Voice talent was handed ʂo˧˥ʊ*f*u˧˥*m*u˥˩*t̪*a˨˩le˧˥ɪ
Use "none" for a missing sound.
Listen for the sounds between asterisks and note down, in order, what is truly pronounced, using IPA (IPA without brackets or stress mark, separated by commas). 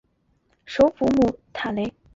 f, m, t̪ʰ